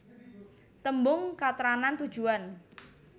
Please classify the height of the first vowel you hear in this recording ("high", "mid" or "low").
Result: mid